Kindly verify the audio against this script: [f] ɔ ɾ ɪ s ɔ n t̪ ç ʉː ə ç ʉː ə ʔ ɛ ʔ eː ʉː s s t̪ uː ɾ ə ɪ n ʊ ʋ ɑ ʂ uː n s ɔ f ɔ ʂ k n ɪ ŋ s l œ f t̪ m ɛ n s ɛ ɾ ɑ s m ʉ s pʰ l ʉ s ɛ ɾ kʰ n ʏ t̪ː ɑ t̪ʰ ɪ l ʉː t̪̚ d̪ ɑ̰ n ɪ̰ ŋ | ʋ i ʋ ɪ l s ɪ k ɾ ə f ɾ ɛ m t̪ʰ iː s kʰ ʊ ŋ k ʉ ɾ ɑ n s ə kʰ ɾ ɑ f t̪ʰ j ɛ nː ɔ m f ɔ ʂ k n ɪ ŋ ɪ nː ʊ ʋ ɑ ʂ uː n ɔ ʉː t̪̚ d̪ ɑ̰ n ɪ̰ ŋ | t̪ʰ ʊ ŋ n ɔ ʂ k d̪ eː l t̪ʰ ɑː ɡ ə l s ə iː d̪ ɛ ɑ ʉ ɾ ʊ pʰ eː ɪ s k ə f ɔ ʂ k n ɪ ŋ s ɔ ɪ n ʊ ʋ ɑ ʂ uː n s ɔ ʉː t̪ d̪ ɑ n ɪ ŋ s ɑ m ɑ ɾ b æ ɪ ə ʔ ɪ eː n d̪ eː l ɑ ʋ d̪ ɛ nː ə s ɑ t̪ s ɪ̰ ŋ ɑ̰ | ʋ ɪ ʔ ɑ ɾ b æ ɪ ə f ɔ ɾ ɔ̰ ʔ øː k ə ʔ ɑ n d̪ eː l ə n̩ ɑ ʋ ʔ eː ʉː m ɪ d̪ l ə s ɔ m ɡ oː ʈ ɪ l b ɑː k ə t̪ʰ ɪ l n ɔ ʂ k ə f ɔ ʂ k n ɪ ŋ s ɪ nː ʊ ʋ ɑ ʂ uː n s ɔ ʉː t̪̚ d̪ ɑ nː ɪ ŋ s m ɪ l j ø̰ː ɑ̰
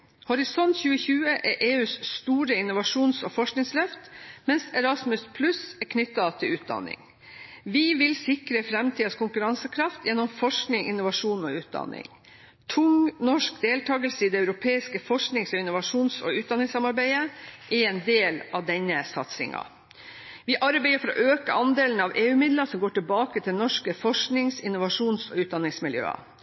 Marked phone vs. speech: incorrect: h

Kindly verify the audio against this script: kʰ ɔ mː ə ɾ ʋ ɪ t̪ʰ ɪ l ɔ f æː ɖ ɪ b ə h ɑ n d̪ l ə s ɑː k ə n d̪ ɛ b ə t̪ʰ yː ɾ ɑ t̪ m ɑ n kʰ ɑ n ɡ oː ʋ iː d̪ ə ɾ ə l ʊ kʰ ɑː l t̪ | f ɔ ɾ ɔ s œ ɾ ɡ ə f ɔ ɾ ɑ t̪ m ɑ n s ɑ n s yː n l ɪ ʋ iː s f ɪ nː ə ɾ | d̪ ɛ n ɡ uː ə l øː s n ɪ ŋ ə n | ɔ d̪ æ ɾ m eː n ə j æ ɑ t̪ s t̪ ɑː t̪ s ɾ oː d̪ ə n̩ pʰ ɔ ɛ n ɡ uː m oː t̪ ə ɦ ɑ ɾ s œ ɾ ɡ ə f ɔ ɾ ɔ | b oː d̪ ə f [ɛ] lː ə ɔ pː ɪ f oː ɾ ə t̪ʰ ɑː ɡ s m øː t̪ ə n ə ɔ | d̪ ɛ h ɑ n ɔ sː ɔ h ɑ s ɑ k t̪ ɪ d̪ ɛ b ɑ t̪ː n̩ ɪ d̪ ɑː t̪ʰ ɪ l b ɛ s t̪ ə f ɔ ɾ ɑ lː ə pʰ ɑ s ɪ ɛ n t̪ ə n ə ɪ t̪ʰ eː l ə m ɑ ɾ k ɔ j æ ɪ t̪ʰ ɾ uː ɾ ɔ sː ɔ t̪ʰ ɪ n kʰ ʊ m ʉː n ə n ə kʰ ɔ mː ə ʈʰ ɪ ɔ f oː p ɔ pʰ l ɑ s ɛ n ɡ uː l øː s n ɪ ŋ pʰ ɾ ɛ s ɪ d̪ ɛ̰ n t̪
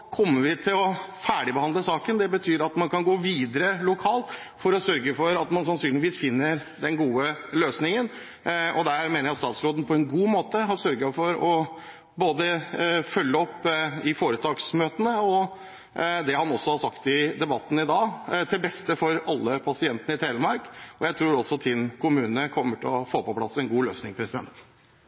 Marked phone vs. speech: incorrect: œ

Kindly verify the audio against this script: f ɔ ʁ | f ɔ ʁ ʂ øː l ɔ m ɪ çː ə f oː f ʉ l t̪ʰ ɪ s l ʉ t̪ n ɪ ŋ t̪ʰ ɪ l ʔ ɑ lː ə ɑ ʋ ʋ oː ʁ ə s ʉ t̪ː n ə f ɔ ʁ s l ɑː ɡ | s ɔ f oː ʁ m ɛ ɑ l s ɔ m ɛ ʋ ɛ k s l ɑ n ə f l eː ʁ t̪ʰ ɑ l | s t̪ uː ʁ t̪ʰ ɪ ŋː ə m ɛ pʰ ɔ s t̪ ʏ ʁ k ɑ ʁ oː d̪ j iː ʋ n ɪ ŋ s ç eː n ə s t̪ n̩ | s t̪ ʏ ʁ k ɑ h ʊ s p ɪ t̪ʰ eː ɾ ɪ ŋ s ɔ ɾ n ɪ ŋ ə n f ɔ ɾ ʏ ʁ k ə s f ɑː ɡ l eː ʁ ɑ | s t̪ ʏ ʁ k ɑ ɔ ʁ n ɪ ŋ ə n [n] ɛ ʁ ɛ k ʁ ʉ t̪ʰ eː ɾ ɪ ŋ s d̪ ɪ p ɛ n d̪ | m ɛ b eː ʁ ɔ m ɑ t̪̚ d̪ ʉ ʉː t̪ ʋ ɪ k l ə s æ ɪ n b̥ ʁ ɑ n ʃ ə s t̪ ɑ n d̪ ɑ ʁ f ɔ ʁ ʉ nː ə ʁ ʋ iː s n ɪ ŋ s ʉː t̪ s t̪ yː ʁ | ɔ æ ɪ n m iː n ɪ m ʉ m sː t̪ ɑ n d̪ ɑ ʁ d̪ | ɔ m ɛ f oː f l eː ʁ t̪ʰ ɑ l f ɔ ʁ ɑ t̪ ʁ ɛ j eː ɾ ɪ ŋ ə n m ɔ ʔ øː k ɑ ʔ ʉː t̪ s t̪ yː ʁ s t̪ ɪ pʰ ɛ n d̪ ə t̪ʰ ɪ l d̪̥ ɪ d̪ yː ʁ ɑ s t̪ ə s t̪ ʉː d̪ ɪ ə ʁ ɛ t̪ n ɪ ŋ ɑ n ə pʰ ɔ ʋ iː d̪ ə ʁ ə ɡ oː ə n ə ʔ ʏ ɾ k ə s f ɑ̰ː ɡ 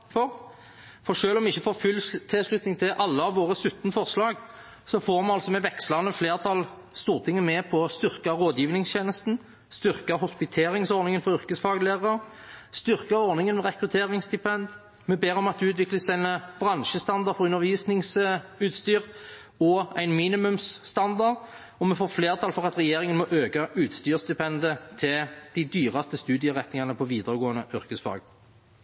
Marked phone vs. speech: incorrect: m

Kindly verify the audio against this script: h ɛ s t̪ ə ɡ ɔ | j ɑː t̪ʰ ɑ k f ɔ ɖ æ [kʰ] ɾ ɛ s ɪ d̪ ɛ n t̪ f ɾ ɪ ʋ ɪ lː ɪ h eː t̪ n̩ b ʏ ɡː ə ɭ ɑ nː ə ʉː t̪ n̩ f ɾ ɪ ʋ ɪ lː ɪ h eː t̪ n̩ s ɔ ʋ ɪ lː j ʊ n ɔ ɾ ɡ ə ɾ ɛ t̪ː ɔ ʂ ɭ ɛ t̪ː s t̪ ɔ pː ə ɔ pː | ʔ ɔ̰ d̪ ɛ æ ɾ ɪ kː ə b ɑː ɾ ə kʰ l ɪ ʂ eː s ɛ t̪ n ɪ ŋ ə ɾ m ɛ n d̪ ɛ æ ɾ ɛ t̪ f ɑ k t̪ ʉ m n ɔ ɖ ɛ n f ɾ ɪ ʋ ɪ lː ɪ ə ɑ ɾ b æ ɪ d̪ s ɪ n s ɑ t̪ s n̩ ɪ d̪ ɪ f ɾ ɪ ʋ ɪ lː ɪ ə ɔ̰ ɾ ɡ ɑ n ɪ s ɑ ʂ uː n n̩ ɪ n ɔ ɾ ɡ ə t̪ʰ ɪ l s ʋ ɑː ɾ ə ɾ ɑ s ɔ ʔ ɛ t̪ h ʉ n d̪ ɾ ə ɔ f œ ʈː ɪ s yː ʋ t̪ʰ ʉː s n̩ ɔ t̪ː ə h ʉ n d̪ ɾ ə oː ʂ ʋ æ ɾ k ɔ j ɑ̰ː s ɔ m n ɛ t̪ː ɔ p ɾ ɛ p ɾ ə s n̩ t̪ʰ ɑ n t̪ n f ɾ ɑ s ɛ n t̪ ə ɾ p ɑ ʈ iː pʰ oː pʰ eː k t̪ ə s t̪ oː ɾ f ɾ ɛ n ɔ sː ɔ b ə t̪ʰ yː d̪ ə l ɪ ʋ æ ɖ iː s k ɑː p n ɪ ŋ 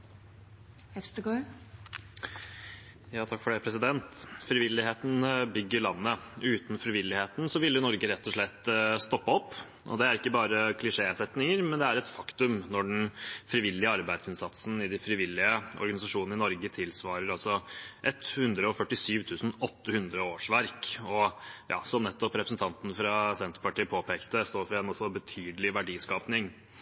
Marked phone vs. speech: incorrect: pʰ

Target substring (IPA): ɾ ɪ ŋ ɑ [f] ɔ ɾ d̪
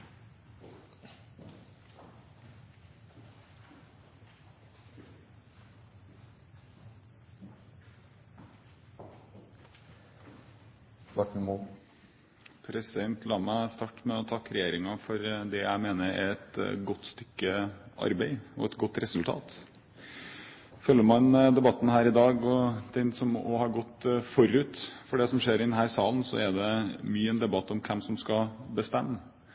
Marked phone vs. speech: correct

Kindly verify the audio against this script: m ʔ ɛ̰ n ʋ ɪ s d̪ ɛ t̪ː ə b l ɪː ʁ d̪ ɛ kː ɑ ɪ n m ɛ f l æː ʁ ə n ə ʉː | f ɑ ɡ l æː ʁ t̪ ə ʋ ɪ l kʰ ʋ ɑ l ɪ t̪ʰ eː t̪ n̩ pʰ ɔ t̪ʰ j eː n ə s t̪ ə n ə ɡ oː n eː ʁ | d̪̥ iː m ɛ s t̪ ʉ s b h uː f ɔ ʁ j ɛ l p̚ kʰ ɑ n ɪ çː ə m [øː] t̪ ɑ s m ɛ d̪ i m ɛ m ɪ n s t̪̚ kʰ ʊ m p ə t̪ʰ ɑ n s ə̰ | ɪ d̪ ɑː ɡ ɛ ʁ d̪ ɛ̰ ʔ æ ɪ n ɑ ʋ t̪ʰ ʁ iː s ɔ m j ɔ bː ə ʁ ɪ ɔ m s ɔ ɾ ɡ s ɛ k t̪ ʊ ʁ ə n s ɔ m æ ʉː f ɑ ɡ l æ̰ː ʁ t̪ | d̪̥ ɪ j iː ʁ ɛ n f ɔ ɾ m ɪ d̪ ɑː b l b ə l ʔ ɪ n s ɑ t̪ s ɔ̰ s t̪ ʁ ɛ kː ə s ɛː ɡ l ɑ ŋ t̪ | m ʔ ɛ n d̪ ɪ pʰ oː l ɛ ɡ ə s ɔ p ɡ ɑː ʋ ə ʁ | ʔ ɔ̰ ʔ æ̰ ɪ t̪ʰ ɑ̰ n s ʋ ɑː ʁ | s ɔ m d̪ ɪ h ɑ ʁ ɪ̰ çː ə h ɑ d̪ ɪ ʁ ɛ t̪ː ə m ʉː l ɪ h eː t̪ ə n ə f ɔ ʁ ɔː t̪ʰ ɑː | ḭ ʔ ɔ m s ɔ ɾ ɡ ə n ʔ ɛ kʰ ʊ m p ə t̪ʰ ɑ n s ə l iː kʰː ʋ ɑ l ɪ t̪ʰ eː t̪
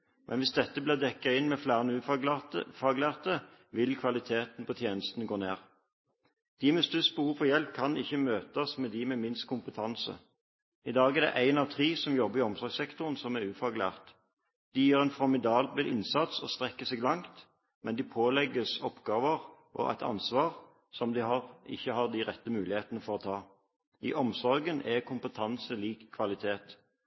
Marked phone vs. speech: correct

